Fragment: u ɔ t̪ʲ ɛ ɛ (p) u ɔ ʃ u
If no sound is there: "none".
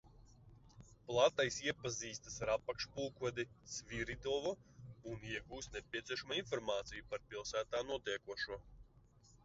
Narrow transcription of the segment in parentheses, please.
k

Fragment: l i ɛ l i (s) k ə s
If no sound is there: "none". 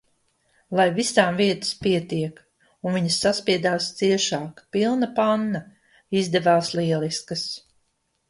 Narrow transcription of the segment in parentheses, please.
s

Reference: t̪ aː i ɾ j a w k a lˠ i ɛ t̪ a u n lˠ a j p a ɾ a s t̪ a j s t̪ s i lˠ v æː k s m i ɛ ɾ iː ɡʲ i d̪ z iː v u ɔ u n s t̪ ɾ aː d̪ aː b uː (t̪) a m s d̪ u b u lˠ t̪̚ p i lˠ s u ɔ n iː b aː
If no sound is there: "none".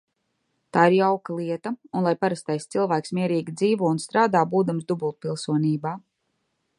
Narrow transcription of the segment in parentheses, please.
d̪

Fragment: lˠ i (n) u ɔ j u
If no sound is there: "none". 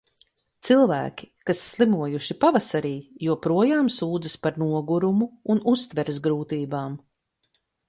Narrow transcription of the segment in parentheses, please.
m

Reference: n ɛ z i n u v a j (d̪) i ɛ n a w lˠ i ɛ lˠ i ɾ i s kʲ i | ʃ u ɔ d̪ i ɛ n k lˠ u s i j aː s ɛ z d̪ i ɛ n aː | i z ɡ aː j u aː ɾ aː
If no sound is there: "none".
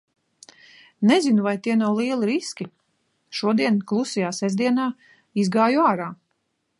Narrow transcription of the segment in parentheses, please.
t̪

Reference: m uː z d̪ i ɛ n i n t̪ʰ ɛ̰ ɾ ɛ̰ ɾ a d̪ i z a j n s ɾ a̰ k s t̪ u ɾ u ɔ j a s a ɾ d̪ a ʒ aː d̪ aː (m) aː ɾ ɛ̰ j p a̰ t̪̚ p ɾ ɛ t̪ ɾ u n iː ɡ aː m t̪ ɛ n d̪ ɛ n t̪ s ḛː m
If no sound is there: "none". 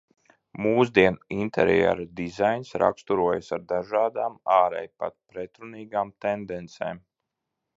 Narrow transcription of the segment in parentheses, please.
m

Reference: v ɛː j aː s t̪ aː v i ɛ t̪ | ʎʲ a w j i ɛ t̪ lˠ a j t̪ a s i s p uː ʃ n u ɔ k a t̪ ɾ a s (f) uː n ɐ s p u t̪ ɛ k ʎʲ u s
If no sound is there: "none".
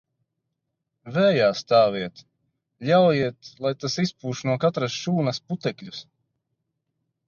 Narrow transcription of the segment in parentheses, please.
ʃ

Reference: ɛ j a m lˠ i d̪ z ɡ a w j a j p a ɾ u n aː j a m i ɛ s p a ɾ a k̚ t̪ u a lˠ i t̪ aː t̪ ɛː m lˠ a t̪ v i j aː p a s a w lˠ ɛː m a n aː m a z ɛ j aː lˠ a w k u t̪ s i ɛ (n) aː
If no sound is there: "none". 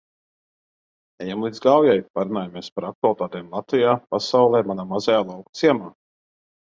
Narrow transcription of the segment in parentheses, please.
m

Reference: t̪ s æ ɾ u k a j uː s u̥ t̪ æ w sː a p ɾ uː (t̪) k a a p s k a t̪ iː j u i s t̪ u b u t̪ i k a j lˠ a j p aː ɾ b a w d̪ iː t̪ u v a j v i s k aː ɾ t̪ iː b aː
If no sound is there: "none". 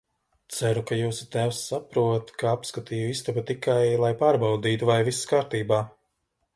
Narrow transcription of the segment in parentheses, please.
t̪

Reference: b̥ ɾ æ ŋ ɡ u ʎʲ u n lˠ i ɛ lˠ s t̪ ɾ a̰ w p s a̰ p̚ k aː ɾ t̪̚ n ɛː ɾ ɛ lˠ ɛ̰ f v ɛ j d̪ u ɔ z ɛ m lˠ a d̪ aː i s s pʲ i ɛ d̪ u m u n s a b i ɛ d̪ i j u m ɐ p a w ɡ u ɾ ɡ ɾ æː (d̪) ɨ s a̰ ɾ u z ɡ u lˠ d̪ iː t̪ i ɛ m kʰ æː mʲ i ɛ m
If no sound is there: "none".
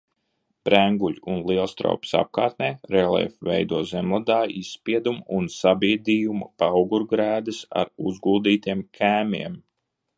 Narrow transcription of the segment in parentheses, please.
d̪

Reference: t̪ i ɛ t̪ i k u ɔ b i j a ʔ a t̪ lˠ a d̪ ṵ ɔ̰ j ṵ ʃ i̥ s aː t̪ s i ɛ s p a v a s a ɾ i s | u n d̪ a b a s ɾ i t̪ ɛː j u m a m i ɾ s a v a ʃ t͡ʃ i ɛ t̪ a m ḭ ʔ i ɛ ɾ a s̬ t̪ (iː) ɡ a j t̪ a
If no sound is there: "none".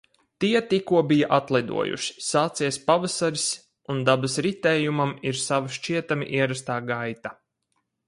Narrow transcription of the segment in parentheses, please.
aː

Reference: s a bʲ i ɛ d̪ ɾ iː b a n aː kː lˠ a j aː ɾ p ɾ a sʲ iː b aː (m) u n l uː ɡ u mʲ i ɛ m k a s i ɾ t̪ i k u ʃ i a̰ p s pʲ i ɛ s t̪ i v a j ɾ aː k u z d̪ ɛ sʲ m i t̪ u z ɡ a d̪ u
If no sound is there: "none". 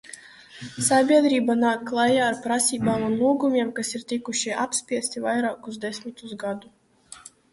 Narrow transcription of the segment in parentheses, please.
m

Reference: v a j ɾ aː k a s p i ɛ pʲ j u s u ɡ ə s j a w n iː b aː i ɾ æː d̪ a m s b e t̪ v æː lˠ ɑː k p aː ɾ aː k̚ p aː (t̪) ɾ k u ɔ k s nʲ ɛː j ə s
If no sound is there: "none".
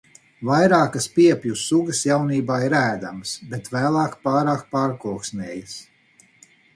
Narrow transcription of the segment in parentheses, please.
none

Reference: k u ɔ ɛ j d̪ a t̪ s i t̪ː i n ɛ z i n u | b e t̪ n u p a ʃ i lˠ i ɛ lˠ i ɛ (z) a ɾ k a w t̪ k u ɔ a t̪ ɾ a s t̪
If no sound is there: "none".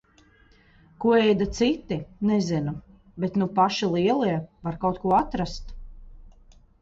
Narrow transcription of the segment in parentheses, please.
v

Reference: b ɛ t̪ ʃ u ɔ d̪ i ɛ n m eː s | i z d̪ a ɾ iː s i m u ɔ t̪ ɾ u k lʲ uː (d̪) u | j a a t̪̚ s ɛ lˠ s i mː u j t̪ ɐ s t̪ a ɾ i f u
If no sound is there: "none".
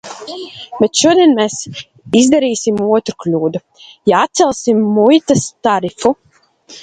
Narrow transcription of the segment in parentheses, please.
d̪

